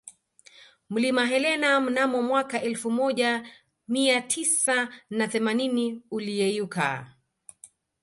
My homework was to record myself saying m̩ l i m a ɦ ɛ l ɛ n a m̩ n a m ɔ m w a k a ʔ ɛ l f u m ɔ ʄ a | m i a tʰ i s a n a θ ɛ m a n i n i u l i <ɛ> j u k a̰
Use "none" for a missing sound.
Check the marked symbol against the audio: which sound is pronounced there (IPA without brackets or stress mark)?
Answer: ɛ